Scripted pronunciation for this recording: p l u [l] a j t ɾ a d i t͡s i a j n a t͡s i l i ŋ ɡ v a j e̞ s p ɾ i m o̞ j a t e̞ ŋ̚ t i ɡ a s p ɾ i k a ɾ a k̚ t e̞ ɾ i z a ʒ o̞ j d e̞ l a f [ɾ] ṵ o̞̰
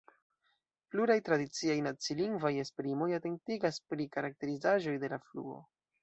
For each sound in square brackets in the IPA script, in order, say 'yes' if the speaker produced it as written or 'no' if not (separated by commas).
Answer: no, no